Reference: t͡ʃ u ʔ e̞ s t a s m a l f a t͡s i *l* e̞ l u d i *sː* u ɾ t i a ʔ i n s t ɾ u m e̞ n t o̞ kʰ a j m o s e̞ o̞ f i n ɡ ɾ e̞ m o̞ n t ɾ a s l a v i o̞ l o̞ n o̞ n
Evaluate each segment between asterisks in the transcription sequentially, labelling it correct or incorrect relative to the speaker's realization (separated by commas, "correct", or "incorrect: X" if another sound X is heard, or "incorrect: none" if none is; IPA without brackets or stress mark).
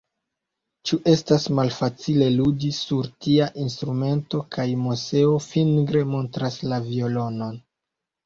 correct, incorrect: s